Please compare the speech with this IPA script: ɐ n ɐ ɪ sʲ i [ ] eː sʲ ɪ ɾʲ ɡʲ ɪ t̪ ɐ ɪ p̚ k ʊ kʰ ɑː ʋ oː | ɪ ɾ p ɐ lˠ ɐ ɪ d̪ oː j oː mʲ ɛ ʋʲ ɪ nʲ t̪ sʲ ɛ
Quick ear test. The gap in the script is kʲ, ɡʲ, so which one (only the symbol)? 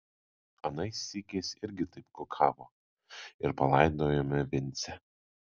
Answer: kʲ